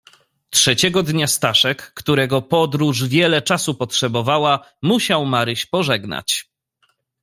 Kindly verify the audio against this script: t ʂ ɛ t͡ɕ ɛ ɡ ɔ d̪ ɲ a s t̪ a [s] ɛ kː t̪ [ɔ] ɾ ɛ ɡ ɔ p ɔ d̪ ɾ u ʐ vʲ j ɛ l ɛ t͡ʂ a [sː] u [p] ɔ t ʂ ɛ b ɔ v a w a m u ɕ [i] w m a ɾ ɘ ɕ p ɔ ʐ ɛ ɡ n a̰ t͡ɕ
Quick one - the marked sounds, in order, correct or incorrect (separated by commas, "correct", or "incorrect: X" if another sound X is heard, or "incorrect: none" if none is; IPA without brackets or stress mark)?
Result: incorrect: ʂ, incorrect: u, incorrect: s, correct, incorrect: a